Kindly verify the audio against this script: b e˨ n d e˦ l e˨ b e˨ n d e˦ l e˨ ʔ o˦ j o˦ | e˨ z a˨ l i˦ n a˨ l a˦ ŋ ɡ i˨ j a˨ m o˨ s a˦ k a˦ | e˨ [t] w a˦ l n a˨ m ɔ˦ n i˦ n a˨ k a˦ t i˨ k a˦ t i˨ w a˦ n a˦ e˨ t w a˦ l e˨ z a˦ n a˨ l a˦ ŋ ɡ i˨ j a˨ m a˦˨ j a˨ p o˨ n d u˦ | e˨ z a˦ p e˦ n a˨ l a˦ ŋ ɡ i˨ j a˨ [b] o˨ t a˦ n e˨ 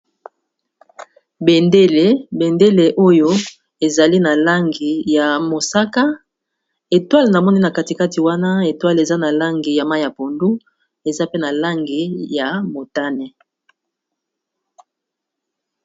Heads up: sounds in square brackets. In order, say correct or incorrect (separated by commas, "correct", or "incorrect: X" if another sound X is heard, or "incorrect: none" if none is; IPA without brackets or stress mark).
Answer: correct, incorrect: m